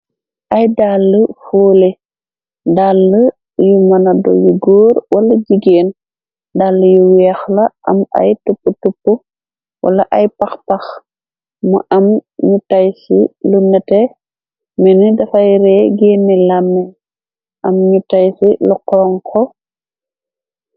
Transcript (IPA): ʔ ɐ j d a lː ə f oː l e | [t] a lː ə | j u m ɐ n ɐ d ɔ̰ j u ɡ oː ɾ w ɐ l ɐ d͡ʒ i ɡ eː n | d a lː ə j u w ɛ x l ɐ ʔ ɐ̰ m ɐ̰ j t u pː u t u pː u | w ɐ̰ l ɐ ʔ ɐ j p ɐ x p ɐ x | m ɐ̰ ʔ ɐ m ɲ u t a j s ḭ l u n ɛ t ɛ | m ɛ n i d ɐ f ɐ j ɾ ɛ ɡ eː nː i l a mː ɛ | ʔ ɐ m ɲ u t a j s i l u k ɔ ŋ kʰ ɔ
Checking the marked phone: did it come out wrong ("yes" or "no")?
yes